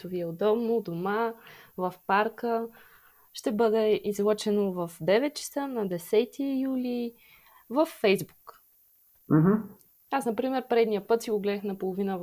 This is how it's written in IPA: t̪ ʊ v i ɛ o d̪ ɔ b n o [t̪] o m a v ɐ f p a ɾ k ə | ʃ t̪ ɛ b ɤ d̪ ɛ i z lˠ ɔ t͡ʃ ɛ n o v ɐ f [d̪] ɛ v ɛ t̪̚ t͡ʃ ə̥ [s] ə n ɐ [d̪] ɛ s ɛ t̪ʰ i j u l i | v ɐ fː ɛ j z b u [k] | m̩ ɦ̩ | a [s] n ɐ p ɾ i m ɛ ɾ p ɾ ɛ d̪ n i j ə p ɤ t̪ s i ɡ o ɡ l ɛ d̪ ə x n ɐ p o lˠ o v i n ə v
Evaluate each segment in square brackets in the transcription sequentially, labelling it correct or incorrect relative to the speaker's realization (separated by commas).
incorrect, correct, correct, correct, correct, correct